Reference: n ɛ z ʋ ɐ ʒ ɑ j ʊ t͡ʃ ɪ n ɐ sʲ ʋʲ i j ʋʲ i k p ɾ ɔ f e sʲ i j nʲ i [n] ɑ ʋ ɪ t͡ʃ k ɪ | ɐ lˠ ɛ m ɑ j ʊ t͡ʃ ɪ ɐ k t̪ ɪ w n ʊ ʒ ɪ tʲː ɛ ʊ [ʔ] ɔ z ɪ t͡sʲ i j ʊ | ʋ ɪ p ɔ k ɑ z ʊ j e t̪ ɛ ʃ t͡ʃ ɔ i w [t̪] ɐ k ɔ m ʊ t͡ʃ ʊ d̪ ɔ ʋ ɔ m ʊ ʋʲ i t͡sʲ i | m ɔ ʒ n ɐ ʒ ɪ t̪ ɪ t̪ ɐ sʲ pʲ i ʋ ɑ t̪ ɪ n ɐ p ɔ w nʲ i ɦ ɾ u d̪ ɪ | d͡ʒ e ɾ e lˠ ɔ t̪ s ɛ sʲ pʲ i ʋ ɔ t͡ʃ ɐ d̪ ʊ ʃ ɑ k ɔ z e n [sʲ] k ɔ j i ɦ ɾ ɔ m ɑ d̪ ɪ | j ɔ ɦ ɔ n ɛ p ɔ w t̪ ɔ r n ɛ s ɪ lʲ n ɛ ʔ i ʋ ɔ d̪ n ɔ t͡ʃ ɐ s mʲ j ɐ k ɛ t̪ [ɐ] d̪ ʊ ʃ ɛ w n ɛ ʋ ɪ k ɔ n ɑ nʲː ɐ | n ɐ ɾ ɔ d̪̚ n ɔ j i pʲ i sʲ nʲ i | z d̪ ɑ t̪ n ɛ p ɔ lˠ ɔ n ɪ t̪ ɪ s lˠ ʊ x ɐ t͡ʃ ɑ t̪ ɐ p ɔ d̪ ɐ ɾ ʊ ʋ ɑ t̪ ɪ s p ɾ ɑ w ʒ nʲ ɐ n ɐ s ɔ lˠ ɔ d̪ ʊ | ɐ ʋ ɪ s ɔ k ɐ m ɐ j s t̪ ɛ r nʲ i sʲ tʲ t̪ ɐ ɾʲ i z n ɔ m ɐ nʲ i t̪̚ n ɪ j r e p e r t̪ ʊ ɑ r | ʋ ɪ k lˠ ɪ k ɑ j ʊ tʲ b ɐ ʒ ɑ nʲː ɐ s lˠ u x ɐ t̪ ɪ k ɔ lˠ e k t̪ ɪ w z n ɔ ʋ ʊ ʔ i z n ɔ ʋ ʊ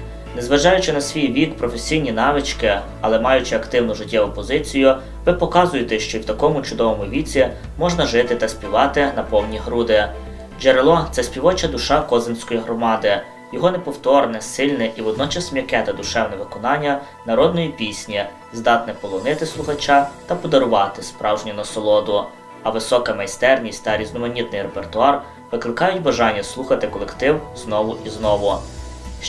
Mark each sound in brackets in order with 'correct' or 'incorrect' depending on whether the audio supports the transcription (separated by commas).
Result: correct, incorrect, correct, correct, correct